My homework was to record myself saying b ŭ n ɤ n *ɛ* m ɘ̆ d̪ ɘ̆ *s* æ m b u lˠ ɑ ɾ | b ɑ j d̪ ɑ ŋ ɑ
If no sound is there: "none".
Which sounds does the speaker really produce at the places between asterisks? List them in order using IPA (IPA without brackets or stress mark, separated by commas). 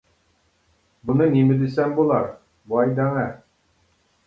i, s